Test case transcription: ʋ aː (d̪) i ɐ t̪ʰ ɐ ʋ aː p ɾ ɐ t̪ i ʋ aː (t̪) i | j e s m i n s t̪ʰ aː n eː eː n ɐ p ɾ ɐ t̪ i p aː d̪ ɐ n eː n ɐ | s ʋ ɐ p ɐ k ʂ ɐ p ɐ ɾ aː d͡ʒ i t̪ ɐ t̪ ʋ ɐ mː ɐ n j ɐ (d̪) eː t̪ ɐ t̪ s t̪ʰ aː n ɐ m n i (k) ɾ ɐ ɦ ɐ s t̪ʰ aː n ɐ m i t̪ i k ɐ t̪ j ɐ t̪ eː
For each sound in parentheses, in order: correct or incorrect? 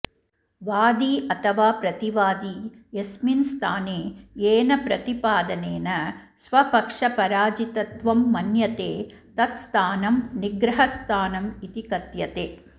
correct, incorrect: d̪, incorrect: t̪, incorrect: ɡ

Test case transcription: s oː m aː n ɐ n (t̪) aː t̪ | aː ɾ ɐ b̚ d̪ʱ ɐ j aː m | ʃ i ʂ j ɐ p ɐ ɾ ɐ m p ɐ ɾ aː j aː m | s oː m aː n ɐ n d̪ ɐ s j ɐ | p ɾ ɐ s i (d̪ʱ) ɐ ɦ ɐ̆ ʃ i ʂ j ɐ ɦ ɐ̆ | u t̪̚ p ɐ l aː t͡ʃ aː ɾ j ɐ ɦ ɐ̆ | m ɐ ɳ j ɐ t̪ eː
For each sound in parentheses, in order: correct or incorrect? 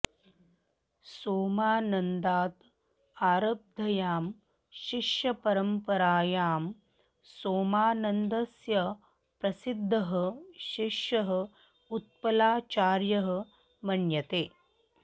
incorrect: d̪, incorrect: d̪ʱː

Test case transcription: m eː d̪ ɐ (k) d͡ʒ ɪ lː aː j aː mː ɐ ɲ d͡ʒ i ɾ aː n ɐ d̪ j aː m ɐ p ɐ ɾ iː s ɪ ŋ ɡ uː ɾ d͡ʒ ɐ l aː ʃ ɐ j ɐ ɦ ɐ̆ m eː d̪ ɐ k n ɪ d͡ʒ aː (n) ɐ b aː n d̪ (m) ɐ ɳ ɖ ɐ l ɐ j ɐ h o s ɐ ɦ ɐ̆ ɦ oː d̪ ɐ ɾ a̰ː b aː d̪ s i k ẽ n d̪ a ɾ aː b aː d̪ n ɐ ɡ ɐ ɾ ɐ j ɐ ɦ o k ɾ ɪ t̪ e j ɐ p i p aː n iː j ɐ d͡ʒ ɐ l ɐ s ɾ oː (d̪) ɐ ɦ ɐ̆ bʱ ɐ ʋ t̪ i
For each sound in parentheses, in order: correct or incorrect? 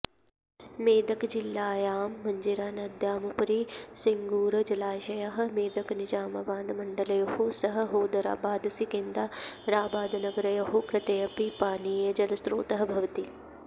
correct, incorrect: m, correct, incorrect: t̪

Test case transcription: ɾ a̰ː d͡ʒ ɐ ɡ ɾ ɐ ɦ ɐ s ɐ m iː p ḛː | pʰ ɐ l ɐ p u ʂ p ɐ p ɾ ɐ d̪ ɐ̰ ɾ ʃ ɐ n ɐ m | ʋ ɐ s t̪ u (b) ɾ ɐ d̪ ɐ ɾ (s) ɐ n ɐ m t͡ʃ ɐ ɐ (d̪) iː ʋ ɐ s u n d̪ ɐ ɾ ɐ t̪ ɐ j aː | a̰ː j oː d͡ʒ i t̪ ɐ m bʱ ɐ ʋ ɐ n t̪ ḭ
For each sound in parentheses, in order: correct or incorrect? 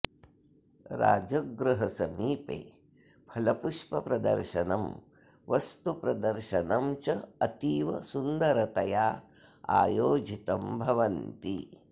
incorrect: p, incorrect: ʃ, incorrect: t̪

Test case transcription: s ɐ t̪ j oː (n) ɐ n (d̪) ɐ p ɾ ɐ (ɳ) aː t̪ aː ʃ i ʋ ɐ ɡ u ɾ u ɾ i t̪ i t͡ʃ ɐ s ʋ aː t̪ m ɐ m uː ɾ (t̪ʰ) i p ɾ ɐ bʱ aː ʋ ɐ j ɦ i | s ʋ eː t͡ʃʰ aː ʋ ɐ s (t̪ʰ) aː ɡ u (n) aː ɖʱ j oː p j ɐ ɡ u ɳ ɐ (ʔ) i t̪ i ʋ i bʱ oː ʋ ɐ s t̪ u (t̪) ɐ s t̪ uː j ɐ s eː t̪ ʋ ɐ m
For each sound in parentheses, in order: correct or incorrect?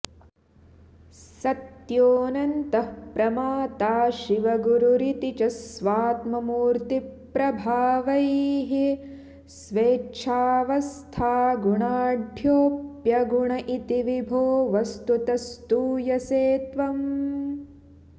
correct, incorrect: t̪, incorrect: m, incorrect: t̪, correct, incorrect: ɳ, correct, correct

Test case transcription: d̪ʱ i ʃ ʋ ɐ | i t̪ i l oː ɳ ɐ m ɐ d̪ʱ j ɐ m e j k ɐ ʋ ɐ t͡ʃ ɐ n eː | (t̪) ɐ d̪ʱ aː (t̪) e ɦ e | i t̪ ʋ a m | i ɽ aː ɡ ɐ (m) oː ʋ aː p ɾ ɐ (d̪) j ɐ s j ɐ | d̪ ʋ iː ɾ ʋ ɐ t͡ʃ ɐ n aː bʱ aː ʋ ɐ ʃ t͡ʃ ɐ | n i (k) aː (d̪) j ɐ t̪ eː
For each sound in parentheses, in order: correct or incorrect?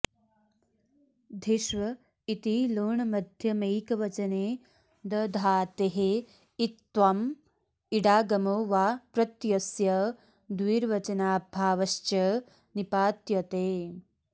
incorrect: d̪, correct, correct, incorrect: t̪, incorrect: p, incorrect: t̪

